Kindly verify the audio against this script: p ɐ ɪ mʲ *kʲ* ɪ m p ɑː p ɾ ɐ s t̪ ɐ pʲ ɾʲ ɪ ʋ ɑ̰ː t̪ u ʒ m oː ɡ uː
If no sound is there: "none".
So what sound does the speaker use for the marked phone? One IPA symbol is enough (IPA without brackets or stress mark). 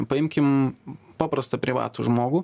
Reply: kʲ